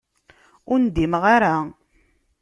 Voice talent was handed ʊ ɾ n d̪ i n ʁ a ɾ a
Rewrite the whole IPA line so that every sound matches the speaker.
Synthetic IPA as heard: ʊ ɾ n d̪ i m ʁ a ɾ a